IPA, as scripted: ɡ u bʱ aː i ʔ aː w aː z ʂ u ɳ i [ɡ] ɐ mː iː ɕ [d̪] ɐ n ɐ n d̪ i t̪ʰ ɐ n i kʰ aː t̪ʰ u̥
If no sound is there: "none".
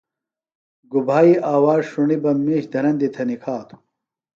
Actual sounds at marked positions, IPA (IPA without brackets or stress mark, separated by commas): b, d̪